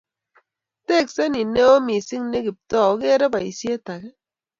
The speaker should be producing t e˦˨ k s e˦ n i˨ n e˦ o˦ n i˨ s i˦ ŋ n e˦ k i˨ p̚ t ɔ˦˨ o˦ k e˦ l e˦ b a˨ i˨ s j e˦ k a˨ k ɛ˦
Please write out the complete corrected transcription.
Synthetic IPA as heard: t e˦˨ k s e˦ n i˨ n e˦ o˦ m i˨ s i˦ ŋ n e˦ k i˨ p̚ t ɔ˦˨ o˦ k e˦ ɾ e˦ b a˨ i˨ s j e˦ t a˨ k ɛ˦